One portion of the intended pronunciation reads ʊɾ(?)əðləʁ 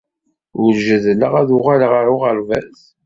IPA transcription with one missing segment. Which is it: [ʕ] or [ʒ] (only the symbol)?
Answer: ʒ